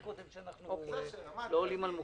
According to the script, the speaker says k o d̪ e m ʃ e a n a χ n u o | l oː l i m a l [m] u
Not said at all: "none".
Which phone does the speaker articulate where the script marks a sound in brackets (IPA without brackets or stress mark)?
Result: m